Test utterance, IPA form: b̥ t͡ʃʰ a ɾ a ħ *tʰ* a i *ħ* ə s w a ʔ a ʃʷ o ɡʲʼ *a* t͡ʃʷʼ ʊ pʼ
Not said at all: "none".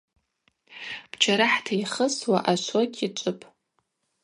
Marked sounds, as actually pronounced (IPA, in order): tʰ, χ, i

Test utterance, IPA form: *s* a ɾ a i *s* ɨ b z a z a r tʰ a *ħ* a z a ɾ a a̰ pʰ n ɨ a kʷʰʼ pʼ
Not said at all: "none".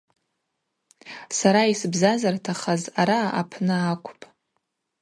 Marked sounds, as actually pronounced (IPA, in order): s, s, χ

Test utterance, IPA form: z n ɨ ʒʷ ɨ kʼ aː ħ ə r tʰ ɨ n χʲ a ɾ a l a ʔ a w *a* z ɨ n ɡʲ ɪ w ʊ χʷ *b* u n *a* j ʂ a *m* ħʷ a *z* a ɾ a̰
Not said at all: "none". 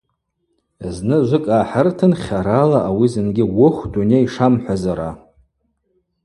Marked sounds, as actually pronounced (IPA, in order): i, d, e, m, z

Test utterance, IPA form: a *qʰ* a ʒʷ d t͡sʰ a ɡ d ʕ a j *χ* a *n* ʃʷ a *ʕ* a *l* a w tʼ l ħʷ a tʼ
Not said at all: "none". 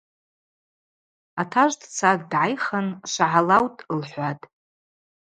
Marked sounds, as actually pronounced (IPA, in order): tʰ, χ, n, ʕ, l

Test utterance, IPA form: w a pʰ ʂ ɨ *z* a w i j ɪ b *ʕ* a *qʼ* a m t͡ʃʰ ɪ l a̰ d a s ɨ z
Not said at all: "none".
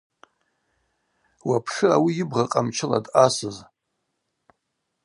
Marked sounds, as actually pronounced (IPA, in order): none, ʁ, qʼ

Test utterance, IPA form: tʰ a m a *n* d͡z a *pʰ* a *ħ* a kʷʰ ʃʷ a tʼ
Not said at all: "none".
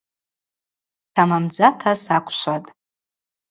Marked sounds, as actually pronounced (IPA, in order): m, tʰ, s

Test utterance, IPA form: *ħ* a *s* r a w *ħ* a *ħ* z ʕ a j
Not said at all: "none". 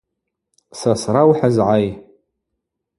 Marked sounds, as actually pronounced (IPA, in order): s, s, ħ, none

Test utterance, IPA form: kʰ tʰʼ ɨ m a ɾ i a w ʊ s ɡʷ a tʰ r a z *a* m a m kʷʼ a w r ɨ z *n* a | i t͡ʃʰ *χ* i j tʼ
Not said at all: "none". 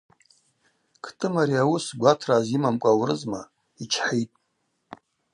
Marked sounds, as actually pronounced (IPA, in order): i, m, ħ

